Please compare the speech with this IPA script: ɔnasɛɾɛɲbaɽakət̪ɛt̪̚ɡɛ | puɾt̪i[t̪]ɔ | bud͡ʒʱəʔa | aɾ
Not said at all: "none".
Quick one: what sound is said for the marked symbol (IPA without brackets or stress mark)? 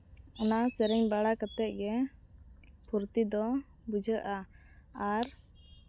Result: d̪